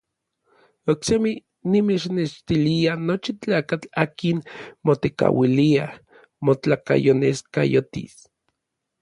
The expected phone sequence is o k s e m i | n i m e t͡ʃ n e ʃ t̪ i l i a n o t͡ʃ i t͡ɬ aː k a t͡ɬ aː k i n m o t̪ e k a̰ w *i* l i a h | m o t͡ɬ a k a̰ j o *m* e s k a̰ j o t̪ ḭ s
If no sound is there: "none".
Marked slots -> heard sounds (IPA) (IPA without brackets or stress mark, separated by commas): i, n